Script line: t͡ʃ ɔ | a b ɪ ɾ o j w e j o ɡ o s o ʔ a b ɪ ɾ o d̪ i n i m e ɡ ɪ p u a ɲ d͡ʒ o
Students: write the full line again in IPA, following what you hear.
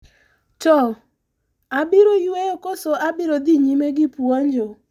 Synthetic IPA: t͡ʃ ɔ | a b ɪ ɾ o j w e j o k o s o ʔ a b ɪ ɾ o d̪ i ɲ i m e ɡ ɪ p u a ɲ d͡ʒ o

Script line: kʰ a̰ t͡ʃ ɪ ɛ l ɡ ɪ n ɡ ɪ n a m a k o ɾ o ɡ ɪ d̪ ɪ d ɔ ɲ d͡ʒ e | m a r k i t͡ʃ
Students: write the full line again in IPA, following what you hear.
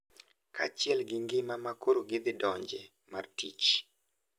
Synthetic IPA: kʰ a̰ t͡ʃ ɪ ɛ l ɡ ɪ ŋ ɡ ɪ m a m a k o ɾ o ɡ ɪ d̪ ɪ d ɔ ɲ d͡ʒ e | m a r t i t͡ʃ

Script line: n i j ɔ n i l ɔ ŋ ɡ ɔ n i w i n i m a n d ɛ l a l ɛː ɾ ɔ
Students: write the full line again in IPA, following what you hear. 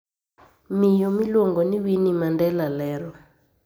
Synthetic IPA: m i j ɔ m i l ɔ ŋ ɡ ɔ n i w i n i m a n d ɛ l a l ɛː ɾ ɔ

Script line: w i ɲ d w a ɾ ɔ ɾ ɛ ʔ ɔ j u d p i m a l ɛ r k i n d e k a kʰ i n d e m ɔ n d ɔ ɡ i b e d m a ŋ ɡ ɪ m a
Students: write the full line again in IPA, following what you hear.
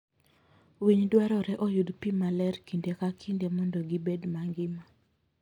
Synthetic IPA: w i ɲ d w a ɾ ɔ ɾ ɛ ʔ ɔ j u d p i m a l ɛ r k i n d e k a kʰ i n d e m ɔ n d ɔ ɡ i b e d m a ŋ ɡ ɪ m a

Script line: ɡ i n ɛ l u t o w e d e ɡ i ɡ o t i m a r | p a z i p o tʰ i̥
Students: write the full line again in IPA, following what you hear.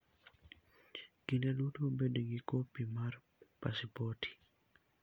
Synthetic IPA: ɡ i n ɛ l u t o b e d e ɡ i k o p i m a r | p a s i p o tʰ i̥

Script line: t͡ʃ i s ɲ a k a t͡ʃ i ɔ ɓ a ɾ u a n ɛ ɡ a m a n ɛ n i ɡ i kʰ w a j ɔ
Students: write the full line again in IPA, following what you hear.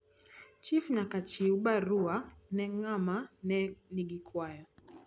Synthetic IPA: t͡ʃ i f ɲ a k a t͡ʃ i u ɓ a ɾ u a n ɛ ŋ a m a n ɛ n i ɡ i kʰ w a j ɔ

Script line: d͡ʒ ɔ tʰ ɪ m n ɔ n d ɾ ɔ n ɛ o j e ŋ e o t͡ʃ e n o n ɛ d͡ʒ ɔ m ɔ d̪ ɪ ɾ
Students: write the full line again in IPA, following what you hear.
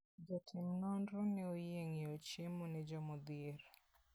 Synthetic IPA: d͡ʒ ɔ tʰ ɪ m n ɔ n d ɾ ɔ n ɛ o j e ŋ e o t͡ʃ e m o n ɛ d͡ʒ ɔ m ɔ d̪ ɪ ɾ

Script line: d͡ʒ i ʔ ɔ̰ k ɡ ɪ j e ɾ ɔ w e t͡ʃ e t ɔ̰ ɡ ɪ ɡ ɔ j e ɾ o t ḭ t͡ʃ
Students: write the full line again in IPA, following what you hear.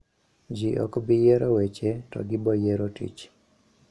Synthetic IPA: d͡ʒ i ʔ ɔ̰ k b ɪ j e ɾ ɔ w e t͡ʃ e t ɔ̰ ɡ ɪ b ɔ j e ɾ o t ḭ t͡ʃ

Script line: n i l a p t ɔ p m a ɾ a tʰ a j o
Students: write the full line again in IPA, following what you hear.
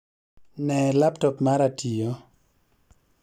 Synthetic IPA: n ɛ l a p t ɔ p m a ɾ a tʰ i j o

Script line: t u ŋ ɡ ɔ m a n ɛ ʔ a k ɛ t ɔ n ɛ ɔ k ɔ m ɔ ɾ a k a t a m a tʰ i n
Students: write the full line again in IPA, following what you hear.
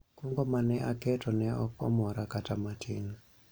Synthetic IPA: k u ŋ ɡ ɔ m a n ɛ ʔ a k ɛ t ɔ n ɛ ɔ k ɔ m ɔ ɾ a k a t a m a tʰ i n

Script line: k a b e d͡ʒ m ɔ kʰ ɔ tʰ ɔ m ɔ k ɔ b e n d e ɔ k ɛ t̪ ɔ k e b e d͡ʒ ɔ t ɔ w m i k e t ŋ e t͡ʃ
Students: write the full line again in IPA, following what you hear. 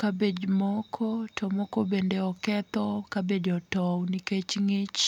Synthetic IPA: k a b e d͡ʒ m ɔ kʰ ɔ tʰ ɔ m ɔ k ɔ b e n d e ɔ k ɛ t̪ ɔ k a b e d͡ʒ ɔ t ɔ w n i k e t͡ʃ ŋ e t͡ʃ

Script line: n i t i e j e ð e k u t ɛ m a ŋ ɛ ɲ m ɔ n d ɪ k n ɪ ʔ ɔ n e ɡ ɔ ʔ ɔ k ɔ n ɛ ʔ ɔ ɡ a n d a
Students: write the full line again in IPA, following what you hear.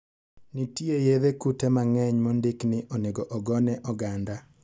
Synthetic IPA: n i t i e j e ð e k u t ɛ m a ŋ ɛ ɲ m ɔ n d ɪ k n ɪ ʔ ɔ n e ɡ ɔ ʔ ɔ ɡ ɔ n ɛ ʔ ɔ ɡ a n d a

